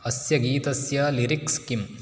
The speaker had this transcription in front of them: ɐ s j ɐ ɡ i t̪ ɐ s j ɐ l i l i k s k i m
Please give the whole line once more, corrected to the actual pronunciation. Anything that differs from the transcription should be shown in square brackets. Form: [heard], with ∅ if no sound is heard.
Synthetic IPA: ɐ s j ɐ ɡ [iː] t̪ ɐ s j ɐ l i [ɾ] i k s k i m

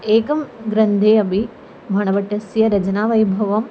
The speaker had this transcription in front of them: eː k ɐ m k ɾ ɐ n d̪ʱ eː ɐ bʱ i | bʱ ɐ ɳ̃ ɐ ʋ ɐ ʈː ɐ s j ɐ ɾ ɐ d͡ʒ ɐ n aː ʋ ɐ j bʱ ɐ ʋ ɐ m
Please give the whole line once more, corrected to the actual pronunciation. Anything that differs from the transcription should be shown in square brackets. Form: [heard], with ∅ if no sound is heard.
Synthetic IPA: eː k ɐ m [ɡ] ɾ ɐ n d̪ʱ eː ɐ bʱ i | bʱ ɐ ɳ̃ ɐ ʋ ɐ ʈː ɐ s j ɐ ɾ ɐ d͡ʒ ɐ n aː ʋ ɐ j bʱ ɐ ʋ ɐ m

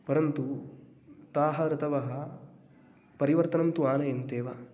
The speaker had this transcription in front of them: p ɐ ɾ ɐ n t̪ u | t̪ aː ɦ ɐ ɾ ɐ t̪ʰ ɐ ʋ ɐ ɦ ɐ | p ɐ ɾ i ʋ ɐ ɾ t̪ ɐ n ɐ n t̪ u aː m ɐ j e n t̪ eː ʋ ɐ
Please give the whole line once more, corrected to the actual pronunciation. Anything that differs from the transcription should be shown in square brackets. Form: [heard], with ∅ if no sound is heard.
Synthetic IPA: p ɐ ɾ ɐ n t̪ u | t̪ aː ɦ ɐ ɾ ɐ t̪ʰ ɐ ʋ ɐ ɦ ɐ | p ɐ ɾ i ʋ ɐ ɾ t̪ ɐ n ɐ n t̪ u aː [n] ɐ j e n t̪ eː ʋ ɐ

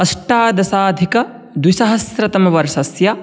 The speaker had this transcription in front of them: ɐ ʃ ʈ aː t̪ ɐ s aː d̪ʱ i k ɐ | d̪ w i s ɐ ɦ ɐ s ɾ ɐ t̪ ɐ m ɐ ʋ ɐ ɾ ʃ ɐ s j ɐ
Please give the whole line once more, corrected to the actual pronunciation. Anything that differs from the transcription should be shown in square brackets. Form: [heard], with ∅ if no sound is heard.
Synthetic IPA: ɐ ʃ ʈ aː [d̪] ɐ s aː d̪ʱ i k ɐ | d̪ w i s ɐ ɦ ɐ s ɾ ɐ t̪ ɐ m ɐ ʋ ɐ ɾ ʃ ɐ s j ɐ

